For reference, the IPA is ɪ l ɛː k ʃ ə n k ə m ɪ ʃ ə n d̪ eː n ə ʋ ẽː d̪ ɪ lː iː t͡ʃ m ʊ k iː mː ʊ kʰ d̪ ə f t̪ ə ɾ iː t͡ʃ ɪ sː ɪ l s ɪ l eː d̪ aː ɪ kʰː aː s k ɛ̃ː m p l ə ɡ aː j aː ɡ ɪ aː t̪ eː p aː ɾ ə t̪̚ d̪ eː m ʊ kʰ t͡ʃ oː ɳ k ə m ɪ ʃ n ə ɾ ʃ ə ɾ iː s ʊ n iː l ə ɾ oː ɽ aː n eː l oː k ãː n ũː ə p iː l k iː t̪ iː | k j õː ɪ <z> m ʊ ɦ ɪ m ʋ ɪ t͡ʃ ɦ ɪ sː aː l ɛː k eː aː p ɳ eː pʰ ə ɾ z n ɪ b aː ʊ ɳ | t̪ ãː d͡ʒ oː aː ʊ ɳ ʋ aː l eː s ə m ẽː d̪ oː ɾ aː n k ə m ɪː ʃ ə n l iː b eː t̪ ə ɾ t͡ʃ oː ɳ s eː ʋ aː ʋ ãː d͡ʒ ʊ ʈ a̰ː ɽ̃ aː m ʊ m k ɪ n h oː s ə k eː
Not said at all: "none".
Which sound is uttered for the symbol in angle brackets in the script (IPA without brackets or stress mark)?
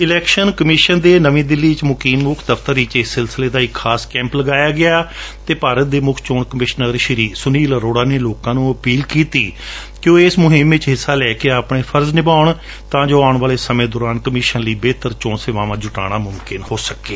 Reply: s